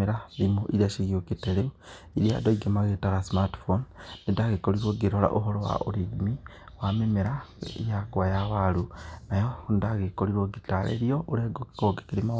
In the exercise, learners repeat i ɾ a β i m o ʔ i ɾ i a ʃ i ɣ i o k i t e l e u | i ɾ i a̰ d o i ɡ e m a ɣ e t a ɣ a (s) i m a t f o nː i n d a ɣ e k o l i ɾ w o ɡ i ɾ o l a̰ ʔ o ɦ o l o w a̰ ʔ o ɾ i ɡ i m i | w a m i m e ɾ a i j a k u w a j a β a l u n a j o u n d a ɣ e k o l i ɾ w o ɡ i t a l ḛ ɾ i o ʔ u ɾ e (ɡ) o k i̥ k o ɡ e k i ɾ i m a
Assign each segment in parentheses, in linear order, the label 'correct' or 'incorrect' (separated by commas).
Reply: correct, correct